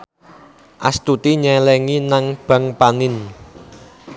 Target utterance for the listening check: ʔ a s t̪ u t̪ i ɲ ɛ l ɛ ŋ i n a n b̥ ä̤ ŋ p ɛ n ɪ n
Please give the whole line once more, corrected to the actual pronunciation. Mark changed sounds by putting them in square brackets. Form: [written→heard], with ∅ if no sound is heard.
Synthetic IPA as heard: ʔ a s t̪ u t̪ i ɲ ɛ l ɛ ŋ i n a [n→ŋ] b̥ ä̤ ŋ p [ɛ→a] n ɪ n

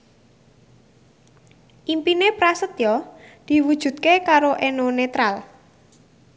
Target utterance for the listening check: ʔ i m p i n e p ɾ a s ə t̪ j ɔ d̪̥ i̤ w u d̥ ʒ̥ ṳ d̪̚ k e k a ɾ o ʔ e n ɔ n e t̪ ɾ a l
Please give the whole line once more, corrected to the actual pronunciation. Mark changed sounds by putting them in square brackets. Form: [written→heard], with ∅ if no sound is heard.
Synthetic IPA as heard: ʔ i m p i n e p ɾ a s ə t̪ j ɔ d̪̥ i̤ w u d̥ ʒ̥ ṳ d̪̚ k e k a ɾ o ʔ e n [ɔ→o] n e t̪ ɾ a l

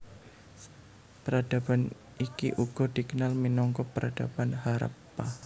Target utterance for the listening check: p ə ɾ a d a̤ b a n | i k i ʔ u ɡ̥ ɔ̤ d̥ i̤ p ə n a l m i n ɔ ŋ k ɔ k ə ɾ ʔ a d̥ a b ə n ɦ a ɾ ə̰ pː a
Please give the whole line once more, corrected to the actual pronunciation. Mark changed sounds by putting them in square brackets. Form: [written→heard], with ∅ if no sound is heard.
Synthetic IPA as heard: p ə ɾ a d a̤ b a n | i k i ʔ u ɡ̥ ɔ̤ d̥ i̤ [p→k] ə n a l m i n ɔ ŋ k ɔ [k→p] ə ɾ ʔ a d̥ a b [ə→a] n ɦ a ɾ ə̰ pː a

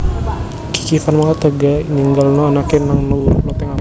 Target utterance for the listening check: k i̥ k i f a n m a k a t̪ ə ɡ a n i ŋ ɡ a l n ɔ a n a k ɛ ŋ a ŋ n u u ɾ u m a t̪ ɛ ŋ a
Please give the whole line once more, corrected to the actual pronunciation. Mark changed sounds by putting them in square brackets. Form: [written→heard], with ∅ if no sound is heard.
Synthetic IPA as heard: k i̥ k i f a n m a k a t̪ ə ɡ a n i ŋ ɡ a l n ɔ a n a k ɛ [ŋ→n] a ŋ n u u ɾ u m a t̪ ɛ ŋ a

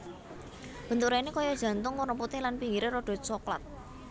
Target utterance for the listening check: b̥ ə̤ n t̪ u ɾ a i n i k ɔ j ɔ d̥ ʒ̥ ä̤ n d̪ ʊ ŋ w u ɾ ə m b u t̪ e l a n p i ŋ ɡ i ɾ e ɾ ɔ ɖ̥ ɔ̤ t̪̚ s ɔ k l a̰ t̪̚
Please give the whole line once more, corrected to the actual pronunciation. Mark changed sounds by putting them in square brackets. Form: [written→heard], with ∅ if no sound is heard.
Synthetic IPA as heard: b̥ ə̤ n t̪ u ɾ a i n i k ɔ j ɔ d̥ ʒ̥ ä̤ n [d̪→t̪] ʊ ŋ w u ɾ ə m [b→p] u t̪ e l a n p i ŋ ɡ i ɾ e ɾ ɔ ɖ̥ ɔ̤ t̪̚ s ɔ k l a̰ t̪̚

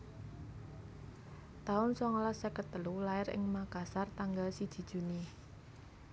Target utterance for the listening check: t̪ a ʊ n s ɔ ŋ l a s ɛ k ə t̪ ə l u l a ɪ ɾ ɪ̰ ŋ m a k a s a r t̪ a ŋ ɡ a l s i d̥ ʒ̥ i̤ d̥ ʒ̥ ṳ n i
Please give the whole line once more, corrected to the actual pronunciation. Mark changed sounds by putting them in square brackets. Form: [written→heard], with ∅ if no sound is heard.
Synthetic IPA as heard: t̪ a ʊ n s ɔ ŋ l a s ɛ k ə t̪ ə l u l a ɪ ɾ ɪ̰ ŋ m a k a s a r t̪ a ŋ ɡ a l s i d̥ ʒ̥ i̤ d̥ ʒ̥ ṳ n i

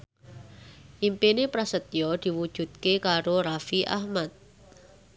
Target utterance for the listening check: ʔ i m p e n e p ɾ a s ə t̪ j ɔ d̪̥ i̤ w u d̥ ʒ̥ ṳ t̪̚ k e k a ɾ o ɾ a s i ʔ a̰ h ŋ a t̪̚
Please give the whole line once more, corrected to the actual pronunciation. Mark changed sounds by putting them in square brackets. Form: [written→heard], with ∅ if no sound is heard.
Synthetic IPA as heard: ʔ i m p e n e p ɾ a s ə t̪ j ɔ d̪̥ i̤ w u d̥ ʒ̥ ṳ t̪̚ k e k a ɾ o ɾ a [s→f] i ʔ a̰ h [ŋ→m] a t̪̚

